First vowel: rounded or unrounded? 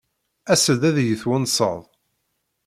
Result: unrounded